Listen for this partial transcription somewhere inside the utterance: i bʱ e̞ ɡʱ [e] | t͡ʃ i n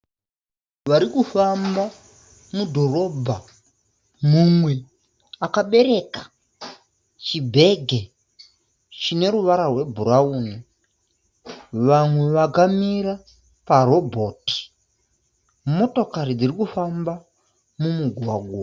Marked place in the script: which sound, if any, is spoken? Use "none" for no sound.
e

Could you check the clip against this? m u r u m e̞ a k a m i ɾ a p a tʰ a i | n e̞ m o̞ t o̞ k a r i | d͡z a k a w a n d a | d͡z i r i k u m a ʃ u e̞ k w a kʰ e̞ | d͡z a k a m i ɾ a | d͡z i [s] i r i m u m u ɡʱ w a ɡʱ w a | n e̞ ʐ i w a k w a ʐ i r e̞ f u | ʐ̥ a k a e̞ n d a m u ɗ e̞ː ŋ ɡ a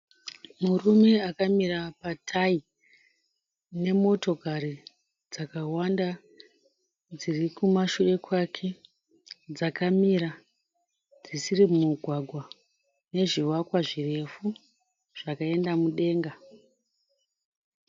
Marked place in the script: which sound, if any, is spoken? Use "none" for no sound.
s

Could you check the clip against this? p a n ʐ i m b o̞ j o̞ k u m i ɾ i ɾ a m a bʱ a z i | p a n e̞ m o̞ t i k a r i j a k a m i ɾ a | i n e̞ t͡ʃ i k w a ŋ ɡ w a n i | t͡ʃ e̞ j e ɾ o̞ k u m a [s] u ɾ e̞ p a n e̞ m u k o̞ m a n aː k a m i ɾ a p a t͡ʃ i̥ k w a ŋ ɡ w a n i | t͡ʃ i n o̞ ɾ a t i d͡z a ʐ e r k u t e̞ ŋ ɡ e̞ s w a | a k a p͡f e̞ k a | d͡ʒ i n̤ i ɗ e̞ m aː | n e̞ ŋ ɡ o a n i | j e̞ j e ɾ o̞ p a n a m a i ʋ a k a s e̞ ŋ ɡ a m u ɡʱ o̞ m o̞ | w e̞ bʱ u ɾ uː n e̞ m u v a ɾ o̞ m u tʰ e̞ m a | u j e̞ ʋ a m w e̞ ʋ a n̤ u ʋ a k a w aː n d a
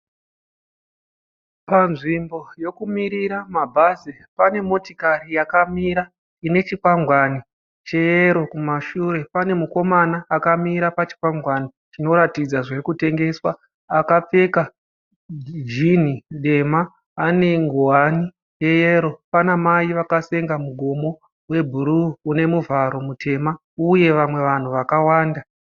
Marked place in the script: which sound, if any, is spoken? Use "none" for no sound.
ʃ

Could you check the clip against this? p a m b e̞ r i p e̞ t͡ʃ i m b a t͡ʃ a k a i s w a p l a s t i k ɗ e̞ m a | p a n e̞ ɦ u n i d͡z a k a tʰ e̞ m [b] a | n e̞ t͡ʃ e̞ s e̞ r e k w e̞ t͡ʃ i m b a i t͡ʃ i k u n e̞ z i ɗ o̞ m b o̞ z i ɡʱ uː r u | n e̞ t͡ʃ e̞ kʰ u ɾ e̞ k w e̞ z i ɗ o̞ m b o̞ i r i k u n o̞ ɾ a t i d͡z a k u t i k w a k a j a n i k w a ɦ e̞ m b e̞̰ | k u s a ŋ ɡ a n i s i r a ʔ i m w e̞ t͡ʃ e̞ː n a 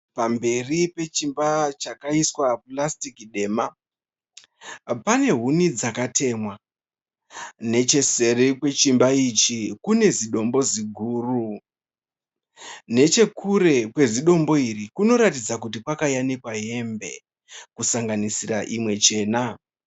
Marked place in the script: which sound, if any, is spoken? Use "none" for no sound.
w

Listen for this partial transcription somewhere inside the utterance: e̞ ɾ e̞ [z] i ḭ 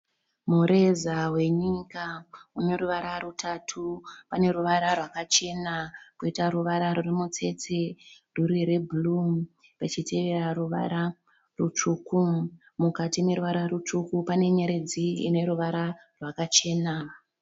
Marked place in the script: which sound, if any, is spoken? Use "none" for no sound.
d͡z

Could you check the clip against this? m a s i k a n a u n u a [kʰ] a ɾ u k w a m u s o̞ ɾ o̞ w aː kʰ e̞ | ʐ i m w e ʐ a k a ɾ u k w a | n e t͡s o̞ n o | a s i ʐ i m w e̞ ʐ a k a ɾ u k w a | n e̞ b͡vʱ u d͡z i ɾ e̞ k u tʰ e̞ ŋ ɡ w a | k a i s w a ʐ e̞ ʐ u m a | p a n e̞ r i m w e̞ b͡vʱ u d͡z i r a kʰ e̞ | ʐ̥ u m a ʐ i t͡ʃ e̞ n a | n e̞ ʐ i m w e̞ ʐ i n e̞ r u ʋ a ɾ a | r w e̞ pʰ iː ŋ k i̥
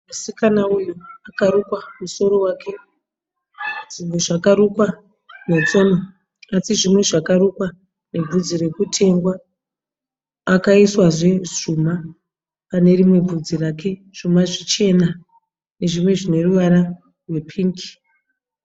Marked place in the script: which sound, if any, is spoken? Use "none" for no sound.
k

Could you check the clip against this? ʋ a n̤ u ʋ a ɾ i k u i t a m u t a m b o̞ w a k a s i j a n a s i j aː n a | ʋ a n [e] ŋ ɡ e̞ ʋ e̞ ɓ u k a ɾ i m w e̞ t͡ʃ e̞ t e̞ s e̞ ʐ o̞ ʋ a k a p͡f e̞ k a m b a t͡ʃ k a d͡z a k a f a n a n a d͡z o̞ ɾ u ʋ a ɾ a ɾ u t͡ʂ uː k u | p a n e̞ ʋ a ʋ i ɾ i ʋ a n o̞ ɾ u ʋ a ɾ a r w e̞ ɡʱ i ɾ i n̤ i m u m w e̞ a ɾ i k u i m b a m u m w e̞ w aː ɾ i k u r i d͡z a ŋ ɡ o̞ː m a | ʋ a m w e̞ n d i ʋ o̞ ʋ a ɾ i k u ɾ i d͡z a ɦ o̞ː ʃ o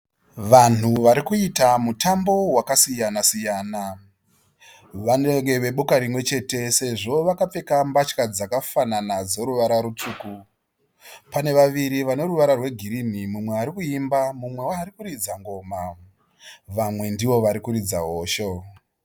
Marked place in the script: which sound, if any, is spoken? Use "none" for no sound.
e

